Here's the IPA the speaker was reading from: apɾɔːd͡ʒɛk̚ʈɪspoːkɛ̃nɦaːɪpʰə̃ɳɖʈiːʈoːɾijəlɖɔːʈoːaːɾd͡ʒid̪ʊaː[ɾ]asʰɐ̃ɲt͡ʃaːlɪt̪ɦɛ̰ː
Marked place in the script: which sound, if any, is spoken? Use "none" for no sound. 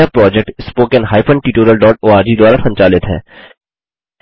ɾ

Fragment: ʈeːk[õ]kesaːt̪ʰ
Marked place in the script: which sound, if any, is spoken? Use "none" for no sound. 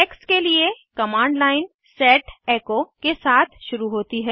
o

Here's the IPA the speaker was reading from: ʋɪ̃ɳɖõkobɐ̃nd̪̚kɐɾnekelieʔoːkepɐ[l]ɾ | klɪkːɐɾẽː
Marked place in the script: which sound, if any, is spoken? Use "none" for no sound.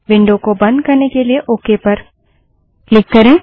none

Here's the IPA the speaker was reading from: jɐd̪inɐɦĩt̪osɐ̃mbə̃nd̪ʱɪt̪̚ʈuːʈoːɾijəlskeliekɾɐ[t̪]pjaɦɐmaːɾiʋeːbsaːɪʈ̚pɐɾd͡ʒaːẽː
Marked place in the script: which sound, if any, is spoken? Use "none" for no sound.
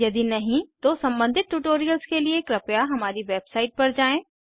none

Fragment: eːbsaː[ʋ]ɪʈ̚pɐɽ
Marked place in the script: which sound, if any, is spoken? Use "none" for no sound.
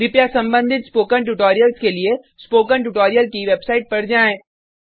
none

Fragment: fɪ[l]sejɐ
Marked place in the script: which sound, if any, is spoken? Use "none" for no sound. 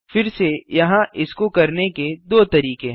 ɾ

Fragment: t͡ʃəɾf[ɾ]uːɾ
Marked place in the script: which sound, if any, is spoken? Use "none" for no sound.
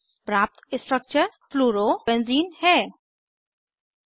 l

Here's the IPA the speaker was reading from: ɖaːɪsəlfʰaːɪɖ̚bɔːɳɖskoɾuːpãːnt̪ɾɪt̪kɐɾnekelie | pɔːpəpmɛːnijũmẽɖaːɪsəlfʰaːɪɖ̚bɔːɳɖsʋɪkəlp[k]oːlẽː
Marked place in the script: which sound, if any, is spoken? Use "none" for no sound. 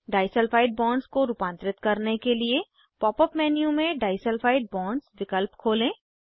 kʰ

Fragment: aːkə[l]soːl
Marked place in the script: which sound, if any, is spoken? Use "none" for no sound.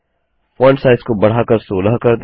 ɾ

